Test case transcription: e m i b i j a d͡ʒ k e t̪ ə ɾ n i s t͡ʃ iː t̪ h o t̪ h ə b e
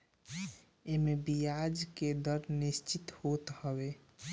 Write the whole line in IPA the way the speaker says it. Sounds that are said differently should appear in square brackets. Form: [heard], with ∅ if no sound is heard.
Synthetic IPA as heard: e m [e] b i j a d͡ʒ k e [d̪] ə ɾ n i s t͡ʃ [i] t̪ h o t̪ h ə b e